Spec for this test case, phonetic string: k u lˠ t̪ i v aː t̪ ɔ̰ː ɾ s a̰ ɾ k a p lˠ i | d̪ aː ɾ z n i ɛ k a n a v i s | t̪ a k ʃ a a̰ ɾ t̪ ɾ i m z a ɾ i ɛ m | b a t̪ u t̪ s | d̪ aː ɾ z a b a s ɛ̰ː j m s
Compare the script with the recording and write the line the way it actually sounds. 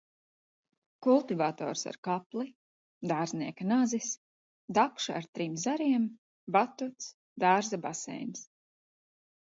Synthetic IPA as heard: k u lˠ t̪ i v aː t̪ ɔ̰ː ɾ s a̰ ɾ k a p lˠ i | d̪ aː ɾ z n i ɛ k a n a z i s | d̪ a k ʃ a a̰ ɾ t̪ ɾ i m z a ɾ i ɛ m | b a t̪ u t̪ s | d̪ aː ɾ z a b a s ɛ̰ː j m s